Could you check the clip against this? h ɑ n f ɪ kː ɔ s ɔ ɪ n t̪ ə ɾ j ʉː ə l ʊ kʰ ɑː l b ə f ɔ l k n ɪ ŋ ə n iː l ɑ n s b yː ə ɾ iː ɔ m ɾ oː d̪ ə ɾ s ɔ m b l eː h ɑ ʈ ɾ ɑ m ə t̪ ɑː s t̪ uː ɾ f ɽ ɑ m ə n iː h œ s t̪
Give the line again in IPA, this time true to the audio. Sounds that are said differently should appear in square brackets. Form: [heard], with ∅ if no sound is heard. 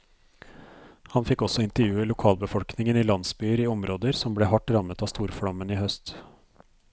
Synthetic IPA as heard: h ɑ n f ɪ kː ɔ s ɔ ɪ n t̪ ə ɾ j ʉː ə l ʊ kʰ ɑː l b ə f ɔ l k n ɪ ŋ ə n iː l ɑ n s b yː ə ɾ iː ɔ m ɾ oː d̪ ə ɾ s ɔ m b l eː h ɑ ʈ ɾ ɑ m ə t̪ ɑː s t̪ uː ɾ f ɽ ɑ m ə n iː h œ s t̪